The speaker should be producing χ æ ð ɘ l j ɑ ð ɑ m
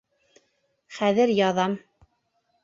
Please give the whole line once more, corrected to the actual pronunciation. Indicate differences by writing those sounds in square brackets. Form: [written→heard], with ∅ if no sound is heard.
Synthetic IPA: χ æ ð ɘ [l→ɾ] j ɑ ð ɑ m